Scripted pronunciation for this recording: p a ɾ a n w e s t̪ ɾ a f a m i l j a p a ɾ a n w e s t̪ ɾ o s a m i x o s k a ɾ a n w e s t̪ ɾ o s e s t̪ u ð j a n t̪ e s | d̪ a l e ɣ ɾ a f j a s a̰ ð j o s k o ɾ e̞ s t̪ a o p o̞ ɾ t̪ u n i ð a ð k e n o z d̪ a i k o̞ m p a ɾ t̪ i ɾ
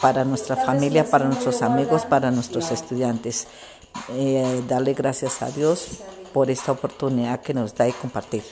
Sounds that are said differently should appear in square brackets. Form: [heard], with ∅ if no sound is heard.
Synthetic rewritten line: p a ɾ a n w e s t̪ ɾ a f a m i l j a p a ɾ a n w e s t̪ ɾ o s a m i [ɣ] o s [p] a ɾ a n w e s t̪ ɾ o s e s t̪ u ð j a n t̪ e s | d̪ a l e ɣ ɾ a [s] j a s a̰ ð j o s [p] o ɾ e̞ s t̪ a o p o̞ ɾ t̪ u n i ð a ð k e n o z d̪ a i k o̞ m p a ɾ t̪ i ɾ